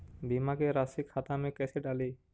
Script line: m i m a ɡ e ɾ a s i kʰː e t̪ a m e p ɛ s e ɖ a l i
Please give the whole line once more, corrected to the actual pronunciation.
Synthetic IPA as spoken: b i m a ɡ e ɾ a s i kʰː a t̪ a m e k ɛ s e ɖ a l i